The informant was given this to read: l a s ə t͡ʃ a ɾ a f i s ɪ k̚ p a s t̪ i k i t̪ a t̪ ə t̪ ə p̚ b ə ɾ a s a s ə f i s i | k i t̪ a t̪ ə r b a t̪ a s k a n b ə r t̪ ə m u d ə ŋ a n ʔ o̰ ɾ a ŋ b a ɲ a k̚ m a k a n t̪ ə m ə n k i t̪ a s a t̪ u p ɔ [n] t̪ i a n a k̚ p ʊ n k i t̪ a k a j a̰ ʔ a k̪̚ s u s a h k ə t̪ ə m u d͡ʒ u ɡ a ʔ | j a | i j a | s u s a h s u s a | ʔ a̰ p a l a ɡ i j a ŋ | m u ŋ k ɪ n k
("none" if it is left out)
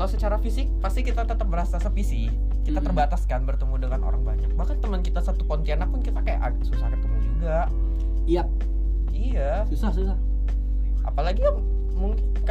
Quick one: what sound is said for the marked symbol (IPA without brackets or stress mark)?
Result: n